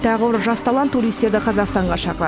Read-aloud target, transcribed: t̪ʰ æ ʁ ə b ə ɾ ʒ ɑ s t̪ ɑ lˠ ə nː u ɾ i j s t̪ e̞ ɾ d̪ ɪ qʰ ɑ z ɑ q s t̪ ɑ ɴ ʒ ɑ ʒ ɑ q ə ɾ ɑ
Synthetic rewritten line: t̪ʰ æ ʁ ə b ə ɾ ʒ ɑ s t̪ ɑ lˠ ɑ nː u ɾ i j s t̪ e̞ ɾ d̪ ɪ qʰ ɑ z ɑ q s t̪ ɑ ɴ ʁ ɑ ʃ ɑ q ə ɾ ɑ